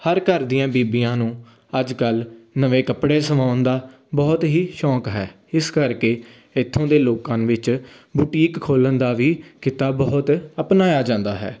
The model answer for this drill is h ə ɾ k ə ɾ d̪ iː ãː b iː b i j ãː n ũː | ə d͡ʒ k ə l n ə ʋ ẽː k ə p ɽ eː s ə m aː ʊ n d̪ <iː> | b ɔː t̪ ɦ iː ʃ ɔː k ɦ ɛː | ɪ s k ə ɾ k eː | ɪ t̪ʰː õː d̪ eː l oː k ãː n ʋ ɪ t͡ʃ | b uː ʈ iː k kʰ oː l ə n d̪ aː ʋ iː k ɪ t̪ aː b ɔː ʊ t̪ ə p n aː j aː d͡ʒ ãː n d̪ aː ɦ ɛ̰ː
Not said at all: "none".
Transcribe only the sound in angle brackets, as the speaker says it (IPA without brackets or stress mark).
aː